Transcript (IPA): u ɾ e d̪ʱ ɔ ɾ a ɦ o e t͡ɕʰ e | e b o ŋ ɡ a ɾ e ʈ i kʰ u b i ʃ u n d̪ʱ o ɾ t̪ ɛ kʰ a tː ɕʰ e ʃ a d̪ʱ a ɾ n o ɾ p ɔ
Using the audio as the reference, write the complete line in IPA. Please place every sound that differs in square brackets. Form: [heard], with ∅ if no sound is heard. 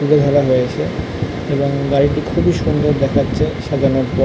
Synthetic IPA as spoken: u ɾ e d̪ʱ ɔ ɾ a ɦ o e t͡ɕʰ e | e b o ŋ ɡ a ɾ [i] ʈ i kʰ u b i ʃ u n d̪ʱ o ɾ [d̪] ɛ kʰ a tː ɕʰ e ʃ a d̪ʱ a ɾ n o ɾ p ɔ